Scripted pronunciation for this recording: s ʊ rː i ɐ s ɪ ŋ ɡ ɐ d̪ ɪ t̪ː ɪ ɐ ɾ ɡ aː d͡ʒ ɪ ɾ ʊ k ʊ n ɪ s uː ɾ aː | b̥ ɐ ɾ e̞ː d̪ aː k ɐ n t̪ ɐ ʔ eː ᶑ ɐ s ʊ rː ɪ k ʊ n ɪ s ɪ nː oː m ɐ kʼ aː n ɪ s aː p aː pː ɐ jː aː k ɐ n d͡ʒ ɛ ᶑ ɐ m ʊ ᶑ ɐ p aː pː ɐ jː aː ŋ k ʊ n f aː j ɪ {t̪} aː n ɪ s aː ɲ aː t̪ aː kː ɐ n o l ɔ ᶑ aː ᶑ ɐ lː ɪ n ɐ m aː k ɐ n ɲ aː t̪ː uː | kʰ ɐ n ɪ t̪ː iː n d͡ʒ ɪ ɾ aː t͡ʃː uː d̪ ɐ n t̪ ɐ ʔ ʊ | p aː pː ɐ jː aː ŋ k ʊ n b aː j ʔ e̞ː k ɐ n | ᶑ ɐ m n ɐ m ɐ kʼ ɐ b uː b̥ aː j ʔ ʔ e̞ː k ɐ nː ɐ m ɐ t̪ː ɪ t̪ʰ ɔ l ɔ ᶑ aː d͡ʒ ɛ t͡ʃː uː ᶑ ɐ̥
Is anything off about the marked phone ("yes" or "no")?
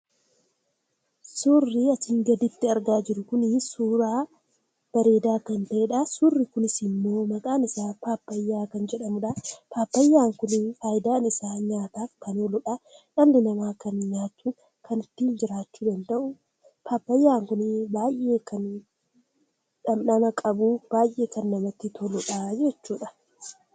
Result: yes